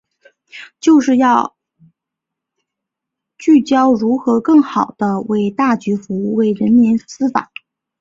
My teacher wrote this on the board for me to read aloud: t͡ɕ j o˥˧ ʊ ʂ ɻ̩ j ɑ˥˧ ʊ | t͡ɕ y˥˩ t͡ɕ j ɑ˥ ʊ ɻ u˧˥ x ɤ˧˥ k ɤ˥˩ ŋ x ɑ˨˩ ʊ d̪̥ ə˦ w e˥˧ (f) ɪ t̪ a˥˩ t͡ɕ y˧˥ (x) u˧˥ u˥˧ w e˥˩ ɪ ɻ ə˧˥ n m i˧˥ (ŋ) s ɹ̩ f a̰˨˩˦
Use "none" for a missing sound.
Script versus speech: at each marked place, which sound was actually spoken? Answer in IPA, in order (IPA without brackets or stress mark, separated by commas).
none, f, n